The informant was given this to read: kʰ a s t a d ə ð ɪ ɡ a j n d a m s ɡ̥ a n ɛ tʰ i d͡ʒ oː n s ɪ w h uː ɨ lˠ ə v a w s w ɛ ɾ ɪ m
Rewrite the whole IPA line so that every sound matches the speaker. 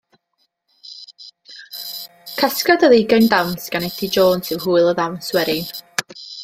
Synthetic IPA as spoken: kʰ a s k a d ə ð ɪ ɡ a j n d a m s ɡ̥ a n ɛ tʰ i d͡ʒ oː n s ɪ w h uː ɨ lˠ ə ð a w s w ɛ ɾ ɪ n